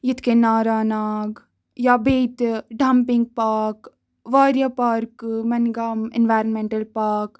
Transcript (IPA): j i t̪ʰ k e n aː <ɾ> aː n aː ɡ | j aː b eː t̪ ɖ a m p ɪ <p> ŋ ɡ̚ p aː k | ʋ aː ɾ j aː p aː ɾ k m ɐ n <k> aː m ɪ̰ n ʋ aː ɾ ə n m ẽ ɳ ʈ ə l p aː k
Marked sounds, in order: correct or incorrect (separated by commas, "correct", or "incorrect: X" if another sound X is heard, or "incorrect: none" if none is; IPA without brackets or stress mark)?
correct, incorrect: none, incorrect: ɡ